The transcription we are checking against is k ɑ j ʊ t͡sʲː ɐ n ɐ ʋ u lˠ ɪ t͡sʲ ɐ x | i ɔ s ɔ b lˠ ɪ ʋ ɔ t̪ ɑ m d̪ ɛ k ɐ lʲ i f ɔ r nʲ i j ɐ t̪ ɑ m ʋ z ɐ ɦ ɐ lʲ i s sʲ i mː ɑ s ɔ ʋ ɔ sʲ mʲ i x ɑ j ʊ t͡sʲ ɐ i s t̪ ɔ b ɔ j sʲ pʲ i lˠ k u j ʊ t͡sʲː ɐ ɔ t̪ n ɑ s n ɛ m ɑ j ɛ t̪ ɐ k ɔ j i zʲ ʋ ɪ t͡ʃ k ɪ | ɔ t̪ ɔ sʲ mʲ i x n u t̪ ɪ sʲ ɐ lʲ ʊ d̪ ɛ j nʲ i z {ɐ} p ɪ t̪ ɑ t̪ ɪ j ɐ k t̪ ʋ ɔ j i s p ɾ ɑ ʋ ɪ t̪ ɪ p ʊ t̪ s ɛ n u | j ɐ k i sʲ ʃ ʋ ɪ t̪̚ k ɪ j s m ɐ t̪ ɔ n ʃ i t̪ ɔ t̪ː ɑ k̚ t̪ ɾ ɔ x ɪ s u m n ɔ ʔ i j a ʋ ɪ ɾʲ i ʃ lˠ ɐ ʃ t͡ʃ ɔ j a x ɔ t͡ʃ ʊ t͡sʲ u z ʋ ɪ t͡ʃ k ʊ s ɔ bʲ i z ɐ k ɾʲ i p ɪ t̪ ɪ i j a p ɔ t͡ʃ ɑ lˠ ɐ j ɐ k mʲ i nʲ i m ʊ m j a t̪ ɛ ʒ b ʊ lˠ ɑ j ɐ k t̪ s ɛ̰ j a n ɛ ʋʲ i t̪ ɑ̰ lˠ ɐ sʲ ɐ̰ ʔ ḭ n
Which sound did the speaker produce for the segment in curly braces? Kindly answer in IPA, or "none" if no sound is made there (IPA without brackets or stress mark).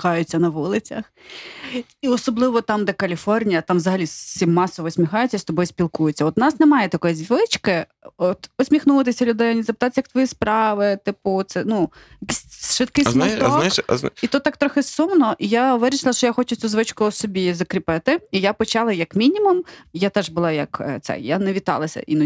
ɐ